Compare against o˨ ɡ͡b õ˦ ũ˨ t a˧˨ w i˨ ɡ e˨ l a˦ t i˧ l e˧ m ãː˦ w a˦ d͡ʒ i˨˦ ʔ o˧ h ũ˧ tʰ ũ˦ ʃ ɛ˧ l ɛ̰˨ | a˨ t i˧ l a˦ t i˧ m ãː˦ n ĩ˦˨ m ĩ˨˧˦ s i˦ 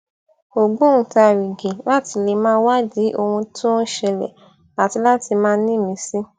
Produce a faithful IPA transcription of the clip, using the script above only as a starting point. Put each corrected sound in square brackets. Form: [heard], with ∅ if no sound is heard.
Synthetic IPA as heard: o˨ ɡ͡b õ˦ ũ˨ t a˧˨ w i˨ ɡ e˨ l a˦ t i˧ l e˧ m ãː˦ w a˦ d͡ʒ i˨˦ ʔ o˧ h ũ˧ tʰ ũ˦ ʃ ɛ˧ l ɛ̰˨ | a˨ t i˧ l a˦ t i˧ m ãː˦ n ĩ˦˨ m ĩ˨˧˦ s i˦